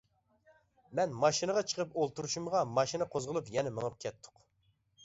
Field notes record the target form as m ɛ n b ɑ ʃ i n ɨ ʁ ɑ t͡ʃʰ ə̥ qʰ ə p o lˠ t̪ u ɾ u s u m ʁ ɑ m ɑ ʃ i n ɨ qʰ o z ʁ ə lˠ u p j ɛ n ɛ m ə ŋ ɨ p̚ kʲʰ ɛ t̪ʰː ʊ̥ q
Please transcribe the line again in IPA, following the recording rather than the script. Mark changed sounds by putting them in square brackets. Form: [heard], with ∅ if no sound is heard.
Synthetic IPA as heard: m ɛ n [m] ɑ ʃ i n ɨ ʁ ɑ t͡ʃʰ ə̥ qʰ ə p o lˠ t̪ u ɾ u [ʃ] u m ʁ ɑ m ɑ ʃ i n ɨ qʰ o z ʁ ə lˠ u p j ɛ n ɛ m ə ŋ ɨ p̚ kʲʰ ɛ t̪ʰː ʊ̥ q